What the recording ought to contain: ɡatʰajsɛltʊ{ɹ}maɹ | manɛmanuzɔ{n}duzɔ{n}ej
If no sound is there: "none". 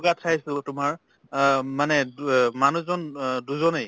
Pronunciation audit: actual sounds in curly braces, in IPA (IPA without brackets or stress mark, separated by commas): none, n, n